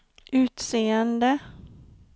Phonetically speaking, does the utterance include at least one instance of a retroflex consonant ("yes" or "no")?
no